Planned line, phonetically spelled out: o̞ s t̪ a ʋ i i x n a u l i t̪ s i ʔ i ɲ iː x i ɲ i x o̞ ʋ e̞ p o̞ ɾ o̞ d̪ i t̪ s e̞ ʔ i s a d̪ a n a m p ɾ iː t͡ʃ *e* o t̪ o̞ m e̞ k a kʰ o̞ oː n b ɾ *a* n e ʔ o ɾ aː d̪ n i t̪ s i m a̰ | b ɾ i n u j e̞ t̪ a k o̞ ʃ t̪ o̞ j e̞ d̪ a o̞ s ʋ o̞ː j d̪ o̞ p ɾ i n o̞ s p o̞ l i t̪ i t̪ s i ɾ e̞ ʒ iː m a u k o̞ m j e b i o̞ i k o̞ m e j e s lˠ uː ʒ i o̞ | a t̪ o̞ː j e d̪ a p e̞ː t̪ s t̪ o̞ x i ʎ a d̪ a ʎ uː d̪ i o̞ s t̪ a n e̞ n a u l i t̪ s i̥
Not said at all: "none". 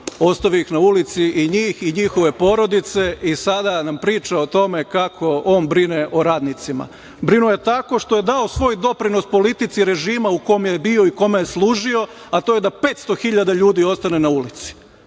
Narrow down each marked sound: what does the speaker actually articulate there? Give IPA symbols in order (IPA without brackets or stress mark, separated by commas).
a, i